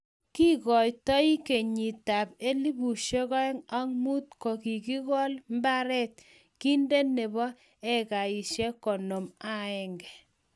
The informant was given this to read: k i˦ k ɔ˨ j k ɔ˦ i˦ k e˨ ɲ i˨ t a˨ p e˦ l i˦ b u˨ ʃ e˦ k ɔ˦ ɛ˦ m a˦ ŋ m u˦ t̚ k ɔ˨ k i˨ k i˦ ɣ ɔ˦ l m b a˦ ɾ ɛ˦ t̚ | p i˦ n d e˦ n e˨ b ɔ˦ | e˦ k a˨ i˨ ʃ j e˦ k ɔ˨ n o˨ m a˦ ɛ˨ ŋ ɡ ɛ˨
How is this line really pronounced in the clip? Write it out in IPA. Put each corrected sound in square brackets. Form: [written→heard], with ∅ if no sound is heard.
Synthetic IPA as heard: k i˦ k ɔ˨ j [k→t] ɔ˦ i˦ k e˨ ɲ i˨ t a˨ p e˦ l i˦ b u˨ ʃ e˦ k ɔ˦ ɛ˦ [m→ŋ] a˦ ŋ m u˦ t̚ k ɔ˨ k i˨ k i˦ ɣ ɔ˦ l m b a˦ ɾ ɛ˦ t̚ | [p→k] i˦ n d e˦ n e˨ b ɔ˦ | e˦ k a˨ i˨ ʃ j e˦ k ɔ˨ n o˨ m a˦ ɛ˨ ŋ ɡ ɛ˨